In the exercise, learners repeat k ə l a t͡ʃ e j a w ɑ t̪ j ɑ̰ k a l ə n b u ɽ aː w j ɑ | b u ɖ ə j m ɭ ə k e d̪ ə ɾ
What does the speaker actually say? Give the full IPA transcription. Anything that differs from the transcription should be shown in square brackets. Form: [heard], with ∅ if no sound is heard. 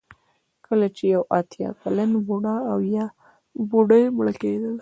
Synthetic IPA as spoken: k ə l a t͡ʃ e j a w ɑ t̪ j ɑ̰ k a l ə n b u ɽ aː w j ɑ | b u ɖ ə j m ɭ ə k e d̪ ə [l]